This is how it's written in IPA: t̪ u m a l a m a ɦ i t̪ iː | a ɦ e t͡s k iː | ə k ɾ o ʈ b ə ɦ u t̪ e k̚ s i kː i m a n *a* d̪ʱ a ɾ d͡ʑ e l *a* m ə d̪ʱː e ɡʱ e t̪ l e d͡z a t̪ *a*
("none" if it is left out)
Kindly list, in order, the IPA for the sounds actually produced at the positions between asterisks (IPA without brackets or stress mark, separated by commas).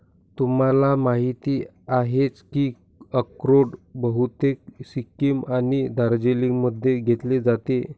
i, i, e